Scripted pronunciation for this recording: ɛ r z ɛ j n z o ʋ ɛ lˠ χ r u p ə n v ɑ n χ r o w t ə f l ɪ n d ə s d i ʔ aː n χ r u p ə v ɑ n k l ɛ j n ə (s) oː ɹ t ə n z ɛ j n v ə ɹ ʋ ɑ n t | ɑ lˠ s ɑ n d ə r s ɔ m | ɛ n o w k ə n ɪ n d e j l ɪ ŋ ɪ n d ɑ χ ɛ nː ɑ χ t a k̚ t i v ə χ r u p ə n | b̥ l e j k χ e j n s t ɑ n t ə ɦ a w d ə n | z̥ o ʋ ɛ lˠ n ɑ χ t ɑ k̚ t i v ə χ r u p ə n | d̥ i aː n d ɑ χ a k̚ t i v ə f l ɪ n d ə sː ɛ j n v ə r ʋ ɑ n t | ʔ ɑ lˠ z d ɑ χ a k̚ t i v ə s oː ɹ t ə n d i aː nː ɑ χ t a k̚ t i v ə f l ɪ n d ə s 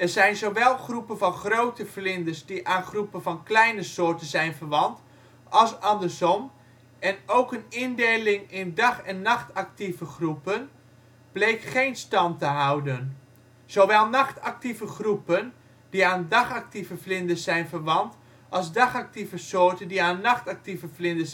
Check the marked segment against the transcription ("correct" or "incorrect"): correct